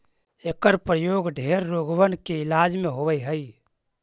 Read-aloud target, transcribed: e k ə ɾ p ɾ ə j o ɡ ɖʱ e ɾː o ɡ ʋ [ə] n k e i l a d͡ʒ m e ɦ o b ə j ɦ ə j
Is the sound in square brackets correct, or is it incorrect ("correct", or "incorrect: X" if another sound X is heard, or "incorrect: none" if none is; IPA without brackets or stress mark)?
correct